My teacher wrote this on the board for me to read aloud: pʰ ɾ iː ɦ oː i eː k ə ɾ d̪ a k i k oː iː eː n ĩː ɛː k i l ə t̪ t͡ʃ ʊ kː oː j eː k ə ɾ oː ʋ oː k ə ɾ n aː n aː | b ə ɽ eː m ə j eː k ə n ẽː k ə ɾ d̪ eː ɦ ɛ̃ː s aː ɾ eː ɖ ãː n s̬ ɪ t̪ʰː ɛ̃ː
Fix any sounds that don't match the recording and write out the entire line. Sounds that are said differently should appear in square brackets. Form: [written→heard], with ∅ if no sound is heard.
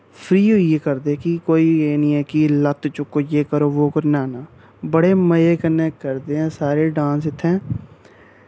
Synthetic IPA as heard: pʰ ɾ iː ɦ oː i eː k ə ɾ d̪ [a→e] k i k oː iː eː n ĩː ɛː k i l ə t̪ t͡ʃ ʊ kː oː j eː k ə ɾ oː ʋ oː k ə ɾ n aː n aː | b ə ɽ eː m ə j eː k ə n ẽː k ə ɾ d̪ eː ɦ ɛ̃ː s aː ɾ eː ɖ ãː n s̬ ɪ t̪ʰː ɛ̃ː